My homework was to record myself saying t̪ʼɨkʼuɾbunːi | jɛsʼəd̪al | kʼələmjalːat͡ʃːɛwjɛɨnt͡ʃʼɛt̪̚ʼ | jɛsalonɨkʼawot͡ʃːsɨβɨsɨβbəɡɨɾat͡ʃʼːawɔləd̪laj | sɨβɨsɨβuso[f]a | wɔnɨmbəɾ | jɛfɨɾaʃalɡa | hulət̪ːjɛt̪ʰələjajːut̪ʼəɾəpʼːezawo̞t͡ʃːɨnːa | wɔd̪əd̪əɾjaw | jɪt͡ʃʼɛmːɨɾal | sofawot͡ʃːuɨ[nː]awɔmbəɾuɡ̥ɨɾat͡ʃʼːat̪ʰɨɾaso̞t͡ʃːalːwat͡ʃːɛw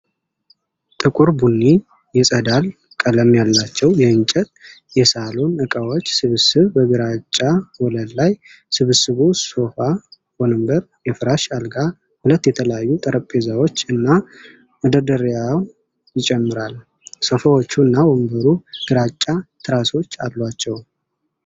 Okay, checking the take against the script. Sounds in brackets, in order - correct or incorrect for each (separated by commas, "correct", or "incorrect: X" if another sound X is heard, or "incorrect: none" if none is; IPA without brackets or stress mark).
correct, correct